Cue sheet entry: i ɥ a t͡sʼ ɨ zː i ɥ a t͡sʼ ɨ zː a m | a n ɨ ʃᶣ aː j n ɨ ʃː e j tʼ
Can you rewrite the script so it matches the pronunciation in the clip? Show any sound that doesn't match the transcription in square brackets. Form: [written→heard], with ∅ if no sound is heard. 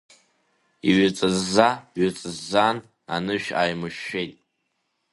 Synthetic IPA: i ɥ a t͡sʼ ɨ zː [i→a] ɥ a t͡sʼ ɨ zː a [m→n] | a n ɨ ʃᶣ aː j [n→m] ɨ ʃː e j tʼ

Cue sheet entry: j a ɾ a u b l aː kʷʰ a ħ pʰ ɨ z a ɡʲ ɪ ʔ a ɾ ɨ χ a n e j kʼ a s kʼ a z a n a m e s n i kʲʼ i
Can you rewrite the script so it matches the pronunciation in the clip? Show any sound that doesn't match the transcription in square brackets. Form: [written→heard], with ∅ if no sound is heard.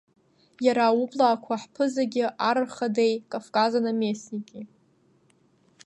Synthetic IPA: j a ɾ a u b l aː kʷʰ a ħ pʰ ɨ z a ɡʲ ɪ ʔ a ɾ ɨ χ a [n→d] e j kʼ a [s→f] kʼ a z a n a m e s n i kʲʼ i

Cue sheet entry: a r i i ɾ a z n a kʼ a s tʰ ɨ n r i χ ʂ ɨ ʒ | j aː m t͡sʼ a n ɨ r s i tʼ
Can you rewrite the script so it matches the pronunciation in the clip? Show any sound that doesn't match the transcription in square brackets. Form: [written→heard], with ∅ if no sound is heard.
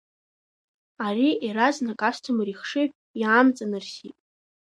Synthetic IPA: a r i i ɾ a z n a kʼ a s tʰ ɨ [n→m] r i χ ʂ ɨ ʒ | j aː m t͡sʼ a n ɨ r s i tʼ

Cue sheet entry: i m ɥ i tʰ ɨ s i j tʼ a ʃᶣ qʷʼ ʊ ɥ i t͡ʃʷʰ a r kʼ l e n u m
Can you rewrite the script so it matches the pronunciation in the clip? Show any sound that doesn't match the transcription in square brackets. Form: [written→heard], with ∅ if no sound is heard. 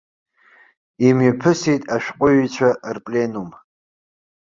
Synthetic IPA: i m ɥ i [tʰ→pʰ] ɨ s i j tʼ a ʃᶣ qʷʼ ʊ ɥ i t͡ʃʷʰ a r [kʼ→pʼ] l e n u m

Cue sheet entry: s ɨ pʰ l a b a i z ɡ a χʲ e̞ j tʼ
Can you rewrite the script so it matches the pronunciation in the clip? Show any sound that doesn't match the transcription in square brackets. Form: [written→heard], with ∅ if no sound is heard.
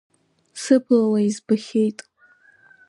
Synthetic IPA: s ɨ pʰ l a [b→w] a i z [ɡ→b] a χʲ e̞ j tʼ

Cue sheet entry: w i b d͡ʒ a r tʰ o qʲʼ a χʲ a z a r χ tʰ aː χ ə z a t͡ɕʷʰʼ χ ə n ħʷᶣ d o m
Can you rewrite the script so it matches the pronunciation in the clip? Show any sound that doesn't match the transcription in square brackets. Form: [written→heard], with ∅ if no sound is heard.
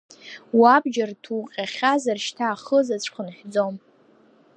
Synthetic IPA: w [i→a] b d͡ʒ a r tʰ [o→u] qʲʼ a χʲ a z a r [χ→ʃ] tʰ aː χ ə z a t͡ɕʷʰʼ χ ə n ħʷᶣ [d→d͡z] o m

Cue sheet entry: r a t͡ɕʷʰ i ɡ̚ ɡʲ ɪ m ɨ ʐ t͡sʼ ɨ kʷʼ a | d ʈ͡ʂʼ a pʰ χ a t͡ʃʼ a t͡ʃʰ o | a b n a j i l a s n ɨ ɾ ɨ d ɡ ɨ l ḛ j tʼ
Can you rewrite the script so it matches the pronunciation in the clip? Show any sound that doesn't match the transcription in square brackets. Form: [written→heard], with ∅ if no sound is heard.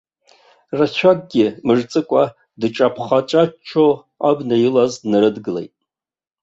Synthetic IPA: r a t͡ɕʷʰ [i→a] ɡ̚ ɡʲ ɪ m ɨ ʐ t͡sʼ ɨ kʷʼ a | d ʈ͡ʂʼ a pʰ χ a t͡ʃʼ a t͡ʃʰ o | a b n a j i l a [s→z] n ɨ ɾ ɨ d ɡ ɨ l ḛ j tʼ

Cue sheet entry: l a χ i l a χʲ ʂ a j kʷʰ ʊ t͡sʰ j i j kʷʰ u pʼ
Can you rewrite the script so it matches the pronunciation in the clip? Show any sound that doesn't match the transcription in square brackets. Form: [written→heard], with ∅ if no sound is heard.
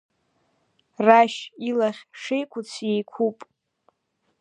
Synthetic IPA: [l→r] a [χ→ʃ] i l a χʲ ʂ [a→e] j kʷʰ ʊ t͡sʰ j [i→e] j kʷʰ u pʼ

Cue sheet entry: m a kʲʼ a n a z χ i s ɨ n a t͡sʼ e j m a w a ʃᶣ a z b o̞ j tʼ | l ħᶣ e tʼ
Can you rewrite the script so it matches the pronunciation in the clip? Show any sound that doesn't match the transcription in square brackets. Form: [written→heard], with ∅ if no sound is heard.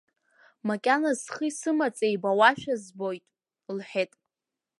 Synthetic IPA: m a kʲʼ a n a z χ i s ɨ [n→m] a t͡sʼ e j [m→b] a w a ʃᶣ a z b o̞ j tʼ | l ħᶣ e tʼ

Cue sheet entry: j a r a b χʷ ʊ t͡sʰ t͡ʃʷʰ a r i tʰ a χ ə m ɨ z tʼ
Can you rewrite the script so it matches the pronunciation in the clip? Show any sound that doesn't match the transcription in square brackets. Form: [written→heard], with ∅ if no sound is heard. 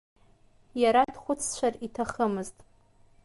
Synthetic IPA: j a [r→ɾ] a [b→d] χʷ ʊ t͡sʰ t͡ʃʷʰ a r i tʰ a χ ə m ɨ z tʼ

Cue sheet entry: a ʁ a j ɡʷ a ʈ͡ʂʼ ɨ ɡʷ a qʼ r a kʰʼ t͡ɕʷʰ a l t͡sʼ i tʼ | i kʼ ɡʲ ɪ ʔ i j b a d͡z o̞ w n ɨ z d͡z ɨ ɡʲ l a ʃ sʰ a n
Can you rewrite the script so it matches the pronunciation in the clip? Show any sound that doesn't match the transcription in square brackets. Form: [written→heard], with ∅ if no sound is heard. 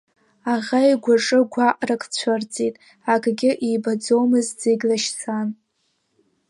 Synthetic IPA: a ʁ a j ɡʷ a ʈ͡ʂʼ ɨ ɡʷ a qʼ r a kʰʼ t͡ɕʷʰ a [l→r] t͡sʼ i tʼ | [i→a] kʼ ɡʲ ɪ ʔ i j b a d͡z o̞ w [n→m] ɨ z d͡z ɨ ɡʲ l a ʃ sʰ a n

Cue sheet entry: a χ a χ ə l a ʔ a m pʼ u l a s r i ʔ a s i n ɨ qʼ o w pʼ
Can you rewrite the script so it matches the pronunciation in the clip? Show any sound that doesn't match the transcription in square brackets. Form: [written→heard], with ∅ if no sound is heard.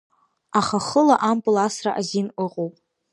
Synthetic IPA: a χ a χ ə l a ʔ a m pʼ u l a s r [i→a] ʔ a [s→z] i n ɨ qʼ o w pʼ

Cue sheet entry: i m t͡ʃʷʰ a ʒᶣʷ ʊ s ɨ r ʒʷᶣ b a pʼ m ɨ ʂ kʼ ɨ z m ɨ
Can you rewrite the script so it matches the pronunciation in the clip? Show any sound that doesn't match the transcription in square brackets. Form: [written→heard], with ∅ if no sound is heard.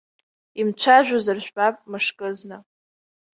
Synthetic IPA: i m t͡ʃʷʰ a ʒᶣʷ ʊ [s→z] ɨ r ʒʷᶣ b a pʼ m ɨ ʂ kʼ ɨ z [m→n] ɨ

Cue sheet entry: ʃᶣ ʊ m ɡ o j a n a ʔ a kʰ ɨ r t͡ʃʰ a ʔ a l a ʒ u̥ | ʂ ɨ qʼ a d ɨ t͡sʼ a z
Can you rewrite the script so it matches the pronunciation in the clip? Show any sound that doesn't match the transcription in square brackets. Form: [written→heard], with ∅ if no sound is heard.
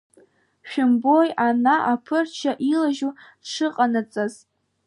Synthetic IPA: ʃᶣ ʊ m [ɡ→b] o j a n a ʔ a [kʰ→pʰ] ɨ r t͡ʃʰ a ʔ [a→i] l a ʒ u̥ | ʂ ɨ qʼ a [d→n] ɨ t͡sʼ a z

